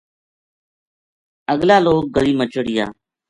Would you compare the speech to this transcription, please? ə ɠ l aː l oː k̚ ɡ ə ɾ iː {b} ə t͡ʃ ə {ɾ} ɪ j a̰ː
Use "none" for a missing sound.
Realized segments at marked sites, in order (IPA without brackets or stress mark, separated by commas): m, ɽ